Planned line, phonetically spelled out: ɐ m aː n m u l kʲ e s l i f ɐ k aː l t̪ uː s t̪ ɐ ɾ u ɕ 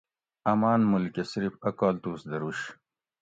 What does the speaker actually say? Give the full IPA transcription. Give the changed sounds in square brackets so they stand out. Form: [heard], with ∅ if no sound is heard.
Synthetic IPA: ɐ m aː n m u l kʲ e s [ɾ] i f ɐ k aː l t̪ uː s [d̪] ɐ ɾ u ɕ